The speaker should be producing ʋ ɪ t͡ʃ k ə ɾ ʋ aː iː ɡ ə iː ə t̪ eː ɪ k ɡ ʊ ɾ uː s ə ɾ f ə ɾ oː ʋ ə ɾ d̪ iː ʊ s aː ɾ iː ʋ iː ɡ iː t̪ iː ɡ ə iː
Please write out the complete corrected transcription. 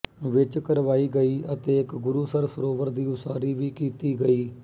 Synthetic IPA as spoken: ʋ ɪ t͡ʃ k ə ɾ ʋ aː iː ɡ ə iː ə t̪ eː ɪ k ɡ ʊ ɾ uː s ə ɾ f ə ɾ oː ʋ ə ɾ d̪ iː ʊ s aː ɾ iː ʋ iː k iː t̪ iː ɡ ə iː